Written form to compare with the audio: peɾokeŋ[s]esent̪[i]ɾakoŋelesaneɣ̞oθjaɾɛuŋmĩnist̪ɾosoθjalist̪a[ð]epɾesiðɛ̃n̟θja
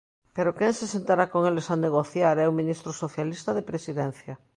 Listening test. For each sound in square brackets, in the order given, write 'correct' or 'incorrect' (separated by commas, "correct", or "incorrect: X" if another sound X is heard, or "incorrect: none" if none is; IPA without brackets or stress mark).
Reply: correct, incorrect: a, correct